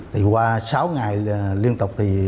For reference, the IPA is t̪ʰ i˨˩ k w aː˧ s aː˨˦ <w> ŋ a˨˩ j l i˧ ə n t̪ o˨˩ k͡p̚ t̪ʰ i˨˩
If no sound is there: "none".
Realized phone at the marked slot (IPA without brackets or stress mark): w